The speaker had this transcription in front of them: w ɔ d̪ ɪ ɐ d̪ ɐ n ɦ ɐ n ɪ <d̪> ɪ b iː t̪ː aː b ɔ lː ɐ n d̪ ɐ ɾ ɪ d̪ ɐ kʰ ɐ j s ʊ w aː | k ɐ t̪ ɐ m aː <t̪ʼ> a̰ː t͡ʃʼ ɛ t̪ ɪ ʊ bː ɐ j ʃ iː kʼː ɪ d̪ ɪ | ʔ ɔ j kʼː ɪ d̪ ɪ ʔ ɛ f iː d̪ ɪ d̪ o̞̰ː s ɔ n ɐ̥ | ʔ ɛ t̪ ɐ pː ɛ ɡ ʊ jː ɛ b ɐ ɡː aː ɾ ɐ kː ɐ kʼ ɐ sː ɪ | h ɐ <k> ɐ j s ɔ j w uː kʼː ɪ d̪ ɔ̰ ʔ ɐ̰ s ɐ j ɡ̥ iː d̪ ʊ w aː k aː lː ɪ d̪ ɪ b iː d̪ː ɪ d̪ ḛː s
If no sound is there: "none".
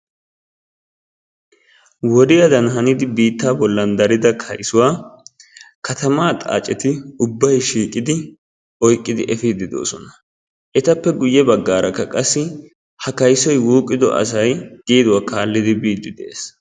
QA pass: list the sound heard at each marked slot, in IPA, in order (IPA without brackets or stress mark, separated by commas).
d̪, t̪ʼ, k